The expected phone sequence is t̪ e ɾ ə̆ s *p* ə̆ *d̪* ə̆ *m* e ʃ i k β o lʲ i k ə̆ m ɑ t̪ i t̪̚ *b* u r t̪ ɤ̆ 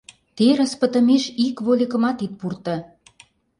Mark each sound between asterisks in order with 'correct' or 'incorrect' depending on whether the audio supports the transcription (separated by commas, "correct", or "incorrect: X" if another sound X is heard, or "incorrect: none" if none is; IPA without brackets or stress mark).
correct, incorrect: t̪, correct, incorrect: p